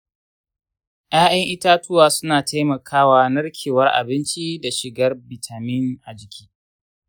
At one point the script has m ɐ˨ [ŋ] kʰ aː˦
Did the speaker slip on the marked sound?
yes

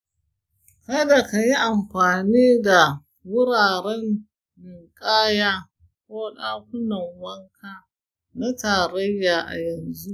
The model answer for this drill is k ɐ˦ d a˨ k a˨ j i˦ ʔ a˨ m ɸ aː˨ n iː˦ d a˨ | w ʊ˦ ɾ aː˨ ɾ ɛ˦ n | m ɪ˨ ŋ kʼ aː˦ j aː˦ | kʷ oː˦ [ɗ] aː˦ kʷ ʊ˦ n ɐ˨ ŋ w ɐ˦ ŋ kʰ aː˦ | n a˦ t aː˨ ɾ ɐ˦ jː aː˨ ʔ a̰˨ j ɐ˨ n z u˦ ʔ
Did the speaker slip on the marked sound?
no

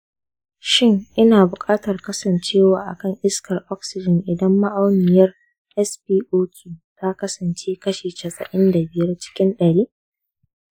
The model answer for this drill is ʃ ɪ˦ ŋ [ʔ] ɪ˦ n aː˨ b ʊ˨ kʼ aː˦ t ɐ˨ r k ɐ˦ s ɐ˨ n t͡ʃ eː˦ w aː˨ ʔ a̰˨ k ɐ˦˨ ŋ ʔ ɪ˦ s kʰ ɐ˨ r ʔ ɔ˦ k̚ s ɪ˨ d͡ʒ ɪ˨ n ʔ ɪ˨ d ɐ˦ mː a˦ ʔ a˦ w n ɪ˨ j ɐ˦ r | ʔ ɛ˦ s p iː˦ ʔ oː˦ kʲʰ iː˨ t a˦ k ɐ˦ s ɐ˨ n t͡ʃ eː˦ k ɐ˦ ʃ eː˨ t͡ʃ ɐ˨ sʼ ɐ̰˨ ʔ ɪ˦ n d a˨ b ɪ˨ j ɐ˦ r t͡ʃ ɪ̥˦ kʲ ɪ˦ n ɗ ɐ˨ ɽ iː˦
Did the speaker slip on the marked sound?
no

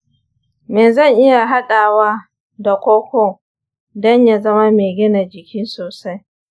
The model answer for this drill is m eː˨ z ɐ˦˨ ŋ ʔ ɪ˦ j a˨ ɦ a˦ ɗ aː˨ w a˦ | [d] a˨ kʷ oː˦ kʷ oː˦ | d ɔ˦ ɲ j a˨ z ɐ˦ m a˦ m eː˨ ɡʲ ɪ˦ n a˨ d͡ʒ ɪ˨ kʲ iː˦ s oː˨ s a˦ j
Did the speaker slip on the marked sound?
no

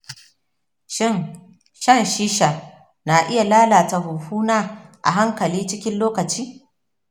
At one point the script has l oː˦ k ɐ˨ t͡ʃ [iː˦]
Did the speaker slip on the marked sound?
no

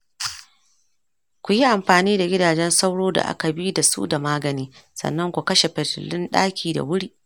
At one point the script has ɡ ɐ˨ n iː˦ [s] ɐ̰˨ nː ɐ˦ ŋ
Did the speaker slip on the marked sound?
no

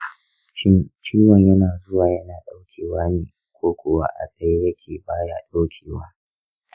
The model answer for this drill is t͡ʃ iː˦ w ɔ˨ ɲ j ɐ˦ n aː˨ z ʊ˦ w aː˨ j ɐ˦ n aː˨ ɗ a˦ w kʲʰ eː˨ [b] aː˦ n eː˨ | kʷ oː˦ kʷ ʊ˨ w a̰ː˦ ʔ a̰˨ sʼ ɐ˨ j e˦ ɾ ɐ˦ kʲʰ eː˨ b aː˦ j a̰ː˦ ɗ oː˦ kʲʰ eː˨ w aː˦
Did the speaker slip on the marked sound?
yes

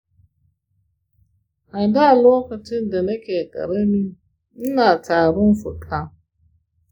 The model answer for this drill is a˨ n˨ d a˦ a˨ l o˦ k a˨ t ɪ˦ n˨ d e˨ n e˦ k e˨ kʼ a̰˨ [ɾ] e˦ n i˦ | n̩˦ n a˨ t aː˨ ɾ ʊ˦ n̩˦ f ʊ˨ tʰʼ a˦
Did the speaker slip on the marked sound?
no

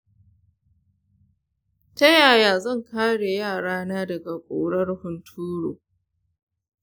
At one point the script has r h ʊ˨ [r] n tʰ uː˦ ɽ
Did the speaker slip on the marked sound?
yes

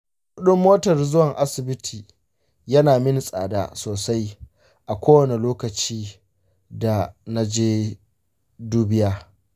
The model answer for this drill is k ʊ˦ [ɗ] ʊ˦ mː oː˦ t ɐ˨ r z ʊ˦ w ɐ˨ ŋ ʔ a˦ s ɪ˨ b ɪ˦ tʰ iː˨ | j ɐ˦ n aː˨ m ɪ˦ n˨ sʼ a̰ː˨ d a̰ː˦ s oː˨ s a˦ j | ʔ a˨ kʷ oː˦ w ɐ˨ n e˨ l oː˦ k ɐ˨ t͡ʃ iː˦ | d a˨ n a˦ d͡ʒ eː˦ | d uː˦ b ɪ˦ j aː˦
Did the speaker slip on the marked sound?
no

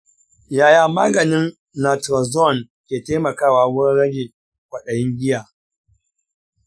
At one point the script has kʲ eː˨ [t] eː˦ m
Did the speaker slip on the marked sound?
no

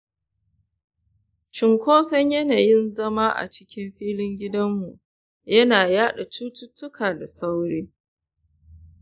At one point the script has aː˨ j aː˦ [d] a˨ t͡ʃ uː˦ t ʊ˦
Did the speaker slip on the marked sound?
yes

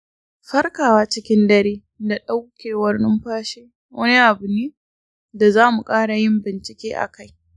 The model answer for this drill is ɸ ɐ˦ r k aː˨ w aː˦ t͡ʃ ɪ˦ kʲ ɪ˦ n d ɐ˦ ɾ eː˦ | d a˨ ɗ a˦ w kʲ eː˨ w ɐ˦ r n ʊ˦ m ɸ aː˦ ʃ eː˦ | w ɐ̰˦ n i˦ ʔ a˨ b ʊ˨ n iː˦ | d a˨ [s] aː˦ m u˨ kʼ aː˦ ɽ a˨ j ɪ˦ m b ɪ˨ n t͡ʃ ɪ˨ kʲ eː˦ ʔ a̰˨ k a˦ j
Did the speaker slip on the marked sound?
yes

